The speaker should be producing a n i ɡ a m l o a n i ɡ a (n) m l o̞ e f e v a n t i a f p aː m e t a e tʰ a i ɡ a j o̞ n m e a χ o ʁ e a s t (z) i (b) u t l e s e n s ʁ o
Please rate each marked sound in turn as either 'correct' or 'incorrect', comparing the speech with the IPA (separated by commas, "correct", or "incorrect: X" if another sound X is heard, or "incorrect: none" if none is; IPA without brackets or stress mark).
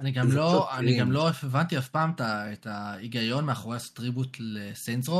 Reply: incorrect: none, incorrect: ʁ, correct